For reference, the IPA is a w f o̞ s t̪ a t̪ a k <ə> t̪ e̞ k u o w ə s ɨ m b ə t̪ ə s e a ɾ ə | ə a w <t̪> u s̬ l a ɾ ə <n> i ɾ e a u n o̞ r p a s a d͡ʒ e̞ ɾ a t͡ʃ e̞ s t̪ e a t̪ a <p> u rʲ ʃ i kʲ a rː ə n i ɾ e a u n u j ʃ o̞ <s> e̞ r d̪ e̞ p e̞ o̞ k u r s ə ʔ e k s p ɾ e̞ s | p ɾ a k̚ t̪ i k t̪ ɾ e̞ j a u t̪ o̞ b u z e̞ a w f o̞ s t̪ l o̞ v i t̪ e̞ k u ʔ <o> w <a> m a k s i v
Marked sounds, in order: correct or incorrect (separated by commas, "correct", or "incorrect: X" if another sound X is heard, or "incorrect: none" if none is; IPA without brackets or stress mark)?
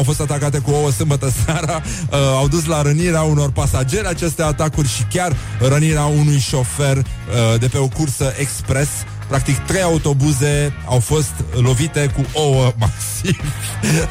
incorrect: a, incorrect: d̪, correct, incorrect: k, incorrect: f, correct, incorrect: ə